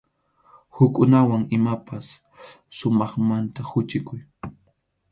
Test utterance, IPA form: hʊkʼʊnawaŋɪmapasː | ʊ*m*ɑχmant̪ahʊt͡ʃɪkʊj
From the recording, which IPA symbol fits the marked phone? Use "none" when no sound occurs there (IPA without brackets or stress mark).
m